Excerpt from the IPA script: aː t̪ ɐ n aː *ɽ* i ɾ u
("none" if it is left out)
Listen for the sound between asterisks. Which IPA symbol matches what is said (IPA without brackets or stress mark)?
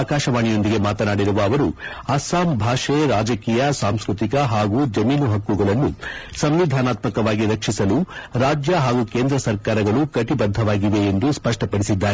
ɽ